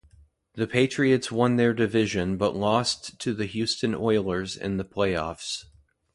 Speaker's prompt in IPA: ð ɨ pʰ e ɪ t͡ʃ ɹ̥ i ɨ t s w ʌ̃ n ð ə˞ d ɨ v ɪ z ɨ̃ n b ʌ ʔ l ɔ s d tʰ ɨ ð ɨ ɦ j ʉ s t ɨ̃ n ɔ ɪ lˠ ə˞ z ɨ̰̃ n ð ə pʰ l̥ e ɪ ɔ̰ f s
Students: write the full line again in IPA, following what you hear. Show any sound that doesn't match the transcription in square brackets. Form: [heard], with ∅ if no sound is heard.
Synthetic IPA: ð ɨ pʰ e ɪ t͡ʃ ɹ̥ i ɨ t s w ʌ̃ n ð ə˞ d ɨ v ɪ [ʒ] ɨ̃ n b ʌ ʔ l ɔ s [t] tʰ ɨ ð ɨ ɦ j ʉ s t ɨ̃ n ɔ ɪ lˠ ə˞ z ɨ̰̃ n ð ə pʰ l̥ e ɪ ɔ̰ f s